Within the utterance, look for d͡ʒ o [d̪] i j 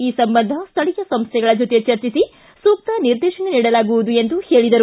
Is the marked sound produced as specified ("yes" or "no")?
no